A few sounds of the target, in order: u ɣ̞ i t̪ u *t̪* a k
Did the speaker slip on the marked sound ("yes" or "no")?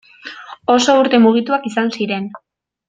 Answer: yes